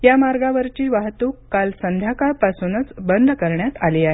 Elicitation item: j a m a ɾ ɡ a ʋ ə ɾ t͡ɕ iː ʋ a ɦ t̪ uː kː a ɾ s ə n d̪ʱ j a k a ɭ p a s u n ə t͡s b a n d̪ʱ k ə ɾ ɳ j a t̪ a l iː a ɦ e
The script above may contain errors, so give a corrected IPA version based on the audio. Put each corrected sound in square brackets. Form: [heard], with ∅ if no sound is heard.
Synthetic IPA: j a m a ɾ ɡ a ʋ ə ɾ t͡ɕ iː ʋ a ɦ t̪ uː kː a [l] s ə n d̪ʱ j a k a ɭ p a s u n ə t͡s b [ə] n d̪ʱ k ə ɾ ɳ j a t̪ a l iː a ɦ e